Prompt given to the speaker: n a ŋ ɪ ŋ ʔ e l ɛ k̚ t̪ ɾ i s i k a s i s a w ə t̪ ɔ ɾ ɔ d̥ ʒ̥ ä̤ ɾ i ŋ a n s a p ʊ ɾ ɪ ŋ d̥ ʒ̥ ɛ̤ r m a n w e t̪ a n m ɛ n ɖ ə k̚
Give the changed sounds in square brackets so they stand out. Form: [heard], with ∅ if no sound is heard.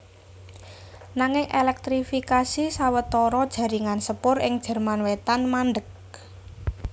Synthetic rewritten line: n a ŋ ɪ ŋ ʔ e l ɛ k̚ t̪ ɾ i [f] i k a s i s a w ə t̪ ɔ ɾ ɔ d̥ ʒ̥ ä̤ ɾ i ŋ a n s [ə] p ʊ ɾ ɪ ŋ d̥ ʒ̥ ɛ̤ r m a n w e t̪ a n m [a] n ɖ ə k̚